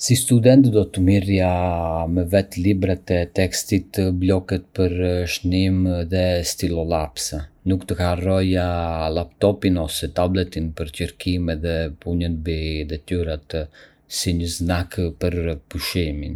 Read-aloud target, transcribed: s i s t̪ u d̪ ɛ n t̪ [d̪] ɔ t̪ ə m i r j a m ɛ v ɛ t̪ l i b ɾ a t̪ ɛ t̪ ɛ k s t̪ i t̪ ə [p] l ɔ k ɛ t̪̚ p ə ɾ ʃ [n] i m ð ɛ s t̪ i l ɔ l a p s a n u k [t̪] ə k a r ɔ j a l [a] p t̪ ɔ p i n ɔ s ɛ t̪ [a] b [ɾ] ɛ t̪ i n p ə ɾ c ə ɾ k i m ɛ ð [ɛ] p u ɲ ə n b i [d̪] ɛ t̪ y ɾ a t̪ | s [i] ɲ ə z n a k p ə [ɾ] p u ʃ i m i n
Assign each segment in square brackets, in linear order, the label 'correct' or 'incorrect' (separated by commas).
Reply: correct, incorrect, correct, correct, correct, correct, incorrect, correct, correct, correct, correct